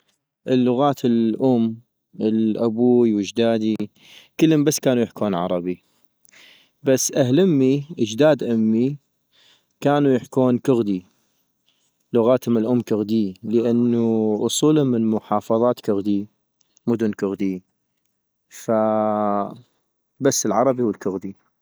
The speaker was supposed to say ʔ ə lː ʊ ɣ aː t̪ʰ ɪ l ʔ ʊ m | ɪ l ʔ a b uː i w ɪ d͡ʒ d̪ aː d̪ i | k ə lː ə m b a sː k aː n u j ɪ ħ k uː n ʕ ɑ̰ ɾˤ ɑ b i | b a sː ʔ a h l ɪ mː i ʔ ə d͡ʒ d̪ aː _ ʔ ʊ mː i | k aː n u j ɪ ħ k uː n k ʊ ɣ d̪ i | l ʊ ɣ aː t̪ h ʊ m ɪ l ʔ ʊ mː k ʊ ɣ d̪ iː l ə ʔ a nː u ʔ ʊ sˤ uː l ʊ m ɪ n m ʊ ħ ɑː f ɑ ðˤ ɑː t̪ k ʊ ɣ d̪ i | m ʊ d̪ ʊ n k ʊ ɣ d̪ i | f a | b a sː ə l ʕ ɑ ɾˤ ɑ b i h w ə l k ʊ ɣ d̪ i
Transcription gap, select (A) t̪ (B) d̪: B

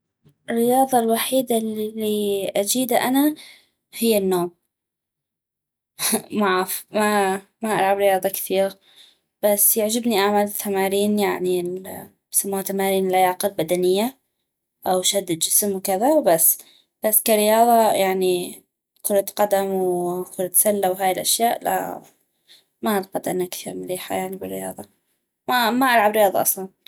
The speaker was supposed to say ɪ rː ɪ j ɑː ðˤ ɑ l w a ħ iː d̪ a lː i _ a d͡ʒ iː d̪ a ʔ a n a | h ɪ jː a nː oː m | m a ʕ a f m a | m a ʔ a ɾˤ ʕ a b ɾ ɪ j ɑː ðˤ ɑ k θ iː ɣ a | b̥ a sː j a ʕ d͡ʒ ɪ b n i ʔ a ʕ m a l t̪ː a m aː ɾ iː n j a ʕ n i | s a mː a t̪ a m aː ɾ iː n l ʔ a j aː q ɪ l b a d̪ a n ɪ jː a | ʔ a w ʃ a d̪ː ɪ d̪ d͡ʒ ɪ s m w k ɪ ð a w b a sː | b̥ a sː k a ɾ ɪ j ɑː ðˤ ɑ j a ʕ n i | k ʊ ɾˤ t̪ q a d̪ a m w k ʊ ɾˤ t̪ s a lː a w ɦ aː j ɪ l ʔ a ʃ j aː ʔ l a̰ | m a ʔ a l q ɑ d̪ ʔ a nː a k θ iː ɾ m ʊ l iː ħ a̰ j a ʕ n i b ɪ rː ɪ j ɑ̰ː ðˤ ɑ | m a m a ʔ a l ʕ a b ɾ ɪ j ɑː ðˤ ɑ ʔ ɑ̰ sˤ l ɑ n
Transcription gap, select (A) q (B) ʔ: B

